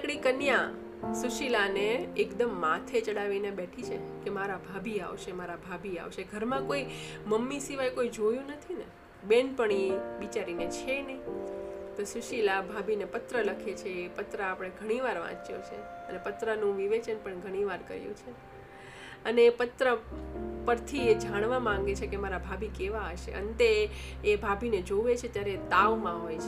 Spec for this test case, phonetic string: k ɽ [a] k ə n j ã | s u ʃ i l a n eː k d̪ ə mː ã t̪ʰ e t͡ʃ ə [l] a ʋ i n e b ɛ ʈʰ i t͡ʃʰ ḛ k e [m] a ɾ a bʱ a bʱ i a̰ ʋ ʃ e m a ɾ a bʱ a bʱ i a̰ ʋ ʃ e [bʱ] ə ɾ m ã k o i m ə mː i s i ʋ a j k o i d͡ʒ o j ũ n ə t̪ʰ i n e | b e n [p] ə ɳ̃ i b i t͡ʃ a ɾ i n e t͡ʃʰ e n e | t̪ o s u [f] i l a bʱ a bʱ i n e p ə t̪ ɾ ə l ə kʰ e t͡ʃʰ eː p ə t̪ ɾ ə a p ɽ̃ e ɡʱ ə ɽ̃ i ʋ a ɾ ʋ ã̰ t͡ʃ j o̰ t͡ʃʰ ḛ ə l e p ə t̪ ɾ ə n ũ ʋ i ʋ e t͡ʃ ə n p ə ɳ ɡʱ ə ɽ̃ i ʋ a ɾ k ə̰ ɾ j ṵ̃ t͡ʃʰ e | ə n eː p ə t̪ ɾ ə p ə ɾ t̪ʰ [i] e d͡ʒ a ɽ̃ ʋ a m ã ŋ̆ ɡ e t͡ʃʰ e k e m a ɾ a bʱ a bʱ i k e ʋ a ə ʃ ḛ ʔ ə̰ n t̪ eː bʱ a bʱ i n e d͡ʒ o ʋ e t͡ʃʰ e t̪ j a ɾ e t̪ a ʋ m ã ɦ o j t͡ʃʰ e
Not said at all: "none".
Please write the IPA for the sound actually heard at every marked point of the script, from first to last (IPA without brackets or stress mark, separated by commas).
i, ɽ, m, ɡʱ, p, ʃ, i